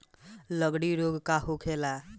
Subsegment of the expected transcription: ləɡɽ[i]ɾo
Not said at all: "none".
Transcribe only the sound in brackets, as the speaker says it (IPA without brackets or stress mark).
i